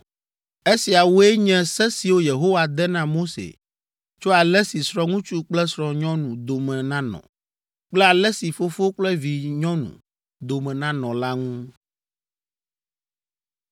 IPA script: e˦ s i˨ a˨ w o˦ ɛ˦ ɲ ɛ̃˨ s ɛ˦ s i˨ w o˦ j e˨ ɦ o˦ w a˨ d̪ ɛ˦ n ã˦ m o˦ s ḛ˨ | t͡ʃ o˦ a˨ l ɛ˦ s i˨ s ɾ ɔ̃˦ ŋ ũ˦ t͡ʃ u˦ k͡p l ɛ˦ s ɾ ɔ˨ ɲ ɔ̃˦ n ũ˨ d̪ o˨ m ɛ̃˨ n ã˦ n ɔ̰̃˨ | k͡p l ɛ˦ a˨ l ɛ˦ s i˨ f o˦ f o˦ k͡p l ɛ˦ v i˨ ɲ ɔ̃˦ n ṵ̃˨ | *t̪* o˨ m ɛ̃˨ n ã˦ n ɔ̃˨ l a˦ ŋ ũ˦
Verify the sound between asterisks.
incorrect: d̪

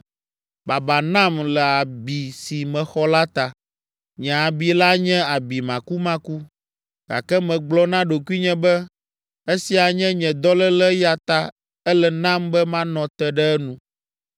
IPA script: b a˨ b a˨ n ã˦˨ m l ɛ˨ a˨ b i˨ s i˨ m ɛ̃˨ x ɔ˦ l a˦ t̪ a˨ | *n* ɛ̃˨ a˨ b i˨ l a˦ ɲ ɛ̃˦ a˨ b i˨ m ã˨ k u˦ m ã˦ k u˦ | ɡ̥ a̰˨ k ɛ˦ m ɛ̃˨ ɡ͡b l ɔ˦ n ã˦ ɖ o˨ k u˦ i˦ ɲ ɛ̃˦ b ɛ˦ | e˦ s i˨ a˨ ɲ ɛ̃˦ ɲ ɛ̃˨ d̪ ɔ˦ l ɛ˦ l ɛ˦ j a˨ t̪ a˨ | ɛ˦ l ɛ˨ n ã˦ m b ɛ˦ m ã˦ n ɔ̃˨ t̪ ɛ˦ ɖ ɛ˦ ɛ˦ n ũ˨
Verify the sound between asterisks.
incorrect: ɲ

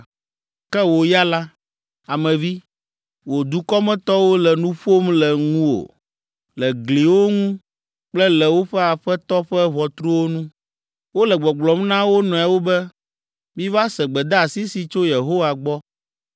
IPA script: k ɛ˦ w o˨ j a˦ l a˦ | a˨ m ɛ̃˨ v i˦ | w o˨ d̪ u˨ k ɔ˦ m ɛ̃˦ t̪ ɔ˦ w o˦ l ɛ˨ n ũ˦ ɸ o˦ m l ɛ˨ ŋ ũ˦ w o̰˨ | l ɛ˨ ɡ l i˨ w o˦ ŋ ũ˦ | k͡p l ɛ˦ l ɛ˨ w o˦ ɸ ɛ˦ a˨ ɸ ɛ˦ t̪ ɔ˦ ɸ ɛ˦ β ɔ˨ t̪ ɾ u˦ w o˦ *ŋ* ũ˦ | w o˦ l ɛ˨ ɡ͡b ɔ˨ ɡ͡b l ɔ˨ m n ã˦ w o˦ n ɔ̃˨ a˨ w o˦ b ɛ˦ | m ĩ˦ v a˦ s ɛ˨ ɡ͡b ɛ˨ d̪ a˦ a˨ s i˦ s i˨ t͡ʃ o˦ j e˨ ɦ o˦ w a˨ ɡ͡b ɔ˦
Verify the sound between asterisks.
incorrect: n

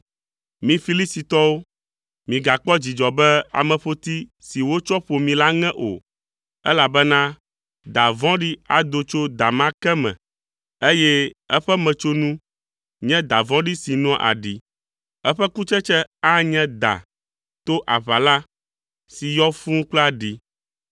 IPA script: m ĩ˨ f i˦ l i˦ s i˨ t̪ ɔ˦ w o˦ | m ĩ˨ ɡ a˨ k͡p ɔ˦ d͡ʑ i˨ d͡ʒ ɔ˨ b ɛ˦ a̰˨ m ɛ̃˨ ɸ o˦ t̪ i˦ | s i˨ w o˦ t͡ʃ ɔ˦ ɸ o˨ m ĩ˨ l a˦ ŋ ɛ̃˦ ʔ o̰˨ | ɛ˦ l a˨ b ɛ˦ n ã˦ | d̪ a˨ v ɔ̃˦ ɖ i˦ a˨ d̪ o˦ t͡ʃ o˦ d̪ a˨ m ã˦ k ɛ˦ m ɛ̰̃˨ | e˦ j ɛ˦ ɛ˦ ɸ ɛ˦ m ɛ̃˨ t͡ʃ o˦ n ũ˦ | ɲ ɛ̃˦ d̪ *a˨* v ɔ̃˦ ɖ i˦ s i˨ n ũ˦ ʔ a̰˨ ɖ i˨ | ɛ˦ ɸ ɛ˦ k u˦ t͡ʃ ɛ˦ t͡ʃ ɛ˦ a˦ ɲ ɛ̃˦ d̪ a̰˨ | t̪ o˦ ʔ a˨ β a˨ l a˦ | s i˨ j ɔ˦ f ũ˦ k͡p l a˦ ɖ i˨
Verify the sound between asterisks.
correct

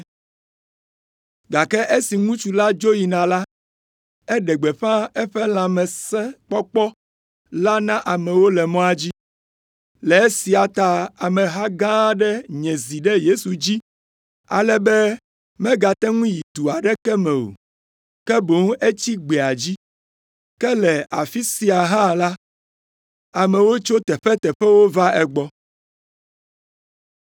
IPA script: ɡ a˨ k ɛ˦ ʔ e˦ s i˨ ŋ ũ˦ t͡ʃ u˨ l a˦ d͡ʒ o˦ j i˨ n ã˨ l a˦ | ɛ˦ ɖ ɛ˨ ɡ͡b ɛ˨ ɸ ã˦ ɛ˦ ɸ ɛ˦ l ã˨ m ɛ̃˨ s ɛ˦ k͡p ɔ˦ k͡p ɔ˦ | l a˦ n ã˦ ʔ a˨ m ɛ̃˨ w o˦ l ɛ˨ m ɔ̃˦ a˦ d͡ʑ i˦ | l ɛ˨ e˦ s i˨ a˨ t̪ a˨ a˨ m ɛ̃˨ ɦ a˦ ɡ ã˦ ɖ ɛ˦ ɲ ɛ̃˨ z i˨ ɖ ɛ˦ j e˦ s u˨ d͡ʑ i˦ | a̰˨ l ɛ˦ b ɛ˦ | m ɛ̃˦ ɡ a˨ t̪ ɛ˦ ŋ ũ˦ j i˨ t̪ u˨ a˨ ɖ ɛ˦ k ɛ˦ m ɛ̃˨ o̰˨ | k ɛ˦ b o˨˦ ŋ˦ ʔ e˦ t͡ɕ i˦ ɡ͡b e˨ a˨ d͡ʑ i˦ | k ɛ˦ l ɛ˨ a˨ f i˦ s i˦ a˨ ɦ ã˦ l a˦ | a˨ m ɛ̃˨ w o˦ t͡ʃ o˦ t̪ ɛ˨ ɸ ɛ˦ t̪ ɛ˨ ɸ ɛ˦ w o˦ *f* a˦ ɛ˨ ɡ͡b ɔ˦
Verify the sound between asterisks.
incorrect: v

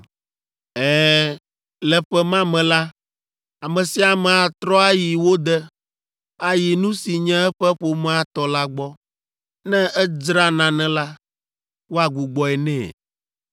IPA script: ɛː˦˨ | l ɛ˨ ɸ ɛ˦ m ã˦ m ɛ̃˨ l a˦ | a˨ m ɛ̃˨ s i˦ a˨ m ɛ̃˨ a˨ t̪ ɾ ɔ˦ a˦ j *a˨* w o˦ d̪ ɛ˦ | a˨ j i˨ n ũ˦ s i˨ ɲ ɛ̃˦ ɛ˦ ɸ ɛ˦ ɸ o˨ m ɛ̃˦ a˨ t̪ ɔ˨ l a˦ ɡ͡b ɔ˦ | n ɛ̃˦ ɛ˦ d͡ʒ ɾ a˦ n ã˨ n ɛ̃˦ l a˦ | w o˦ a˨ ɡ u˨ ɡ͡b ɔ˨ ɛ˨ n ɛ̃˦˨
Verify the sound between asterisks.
incorrect: i˨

